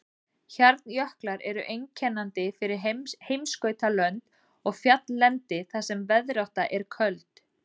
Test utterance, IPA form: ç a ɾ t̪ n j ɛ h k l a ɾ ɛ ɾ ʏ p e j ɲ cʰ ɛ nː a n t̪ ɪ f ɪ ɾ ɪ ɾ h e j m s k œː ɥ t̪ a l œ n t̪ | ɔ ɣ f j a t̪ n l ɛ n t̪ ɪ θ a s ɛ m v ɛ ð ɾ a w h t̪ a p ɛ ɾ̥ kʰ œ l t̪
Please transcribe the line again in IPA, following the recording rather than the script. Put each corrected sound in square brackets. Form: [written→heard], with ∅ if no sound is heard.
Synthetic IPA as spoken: ç a ɾ t̪ n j [ɛ→œ] h k l a ɾ ɛ ɾ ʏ [p→ʔ] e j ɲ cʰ ɛ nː a n t̪ ɪ f ɪ ɾ ɪ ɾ h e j m s k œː ɥ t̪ a l œ n t̪ | ɔ ɣ f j a t̪ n l ɛ n t̪ ɪ θ a s ɛ m v ɛ ð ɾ a w h t̪ a [p→ʔ] ɛ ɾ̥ kʰ œ l t̪